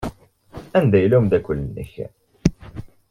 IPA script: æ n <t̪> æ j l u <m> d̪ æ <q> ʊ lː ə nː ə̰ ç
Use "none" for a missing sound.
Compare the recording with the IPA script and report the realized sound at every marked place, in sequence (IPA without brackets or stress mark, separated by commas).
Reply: d̪, m, k